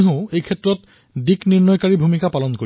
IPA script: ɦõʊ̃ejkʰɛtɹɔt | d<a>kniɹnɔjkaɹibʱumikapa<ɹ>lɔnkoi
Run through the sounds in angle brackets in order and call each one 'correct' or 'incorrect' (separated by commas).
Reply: incorrect, incorrect